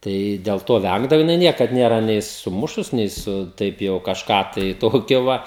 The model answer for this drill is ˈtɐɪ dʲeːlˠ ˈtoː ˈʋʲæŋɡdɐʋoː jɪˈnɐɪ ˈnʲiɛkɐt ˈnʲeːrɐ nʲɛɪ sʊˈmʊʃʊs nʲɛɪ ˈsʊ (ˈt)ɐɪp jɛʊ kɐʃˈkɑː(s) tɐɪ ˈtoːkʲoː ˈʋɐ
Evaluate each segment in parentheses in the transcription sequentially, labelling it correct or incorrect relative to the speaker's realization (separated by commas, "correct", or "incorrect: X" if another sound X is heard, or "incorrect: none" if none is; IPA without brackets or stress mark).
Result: correct, incorrect: none